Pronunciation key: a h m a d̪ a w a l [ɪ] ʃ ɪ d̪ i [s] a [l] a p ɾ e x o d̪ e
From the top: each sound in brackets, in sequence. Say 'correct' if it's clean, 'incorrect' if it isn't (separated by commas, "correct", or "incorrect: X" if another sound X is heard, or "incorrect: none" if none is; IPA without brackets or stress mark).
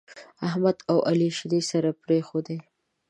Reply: incorrect: i, correct, incorrect: ɾ